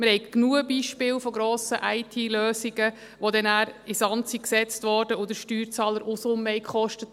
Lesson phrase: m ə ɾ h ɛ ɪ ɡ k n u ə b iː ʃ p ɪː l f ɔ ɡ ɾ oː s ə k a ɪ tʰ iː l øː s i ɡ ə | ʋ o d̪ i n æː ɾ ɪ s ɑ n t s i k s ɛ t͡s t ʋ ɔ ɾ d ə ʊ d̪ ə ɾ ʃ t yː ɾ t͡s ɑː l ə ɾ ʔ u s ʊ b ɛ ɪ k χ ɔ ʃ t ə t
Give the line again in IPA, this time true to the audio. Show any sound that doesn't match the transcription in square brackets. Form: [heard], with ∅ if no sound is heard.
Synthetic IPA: m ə ɾ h ɛ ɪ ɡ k n u ə b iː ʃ p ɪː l f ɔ ɡ ɾ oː s ə [ʔ] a ɪ tʰ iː l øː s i ɡ ə | ʋ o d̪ [ɛ] n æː ɾ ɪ s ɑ n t s i k s ɛ t͡s t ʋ ɔ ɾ d ə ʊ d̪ ə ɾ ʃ t yː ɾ t͡s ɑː l ə ɾ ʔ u s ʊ [m] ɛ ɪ k χ ɔ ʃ t ə t